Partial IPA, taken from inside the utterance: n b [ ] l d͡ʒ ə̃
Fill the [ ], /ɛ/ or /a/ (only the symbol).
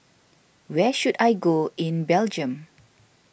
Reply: ɛ